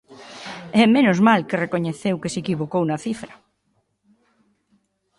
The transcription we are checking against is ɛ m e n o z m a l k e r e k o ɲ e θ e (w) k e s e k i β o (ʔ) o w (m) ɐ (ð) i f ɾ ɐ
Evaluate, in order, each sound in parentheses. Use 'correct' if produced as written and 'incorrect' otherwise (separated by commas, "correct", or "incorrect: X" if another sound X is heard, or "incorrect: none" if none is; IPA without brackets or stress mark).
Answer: correct, incorrect: k, incorrect: n, incorrect: θ